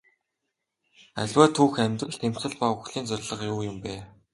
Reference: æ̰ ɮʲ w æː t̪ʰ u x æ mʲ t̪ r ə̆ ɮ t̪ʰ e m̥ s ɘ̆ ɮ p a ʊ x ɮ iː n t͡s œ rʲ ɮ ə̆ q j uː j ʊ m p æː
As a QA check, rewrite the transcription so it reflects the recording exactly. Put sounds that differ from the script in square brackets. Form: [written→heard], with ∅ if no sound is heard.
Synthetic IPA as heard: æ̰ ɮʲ w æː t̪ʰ [u→uː] x æ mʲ t̪ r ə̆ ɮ t̪ʰ e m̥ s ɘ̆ ɮ p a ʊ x ɮ iː n t͡s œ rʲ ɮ ə̆ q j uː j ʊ m p æː